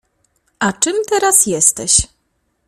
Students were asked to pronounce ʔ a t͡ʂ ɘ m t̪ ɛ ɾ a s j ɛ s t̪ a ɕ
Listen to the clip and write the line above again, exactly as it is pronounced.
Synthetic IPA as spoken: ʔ a t͡ʂ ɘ m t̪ ɛ ɾ a s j ɛ s t̪ ɛ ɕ